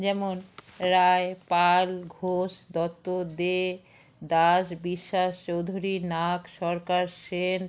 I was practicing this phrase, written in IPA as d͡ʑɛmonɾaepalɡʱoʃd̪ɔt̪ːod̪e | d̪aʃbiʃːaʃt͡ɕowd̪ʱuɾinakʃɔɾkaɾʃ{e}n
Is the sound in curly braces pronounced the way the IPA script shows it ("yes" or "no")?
yes